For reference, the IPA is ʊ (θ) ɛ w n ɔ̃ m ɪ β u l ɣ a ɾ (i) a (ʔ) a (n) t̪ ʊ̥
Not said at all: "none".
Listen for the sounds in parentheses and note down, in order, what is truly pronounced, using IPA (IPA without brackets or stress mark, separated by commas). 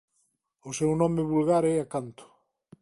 s, ɛ, k, n